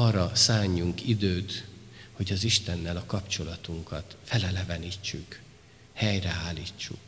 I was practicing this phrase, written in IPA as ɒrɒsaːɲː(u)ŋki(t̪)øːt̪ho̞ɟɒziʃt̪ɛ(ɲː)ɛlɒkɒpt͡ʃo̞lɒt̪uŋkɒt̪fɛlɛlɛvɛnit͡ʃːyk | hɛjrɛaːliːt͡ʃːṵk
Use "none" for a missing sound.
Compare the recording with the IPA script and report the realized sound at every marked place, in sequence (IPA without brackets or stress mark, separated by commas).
u, d̪, nː